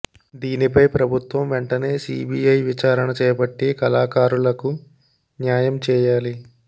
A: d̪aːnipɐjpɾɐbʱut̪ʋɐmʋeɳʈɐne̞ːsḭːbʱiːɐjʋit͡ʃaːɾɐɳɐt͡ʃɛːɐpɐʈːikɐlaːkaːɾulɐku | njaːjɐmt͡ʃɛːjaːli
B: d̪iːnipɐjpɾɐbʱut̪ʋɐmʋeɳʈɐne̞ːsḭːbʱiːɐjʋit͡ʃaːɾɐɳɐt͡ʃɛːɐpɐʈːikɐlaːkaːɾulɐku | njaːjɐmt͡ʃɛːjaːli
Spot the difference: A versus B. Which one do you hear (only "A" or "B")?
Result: B